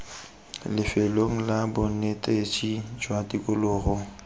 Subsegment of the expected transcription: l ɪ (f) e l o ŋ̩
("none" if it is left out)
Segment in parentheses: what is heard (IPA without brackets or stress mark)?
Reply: f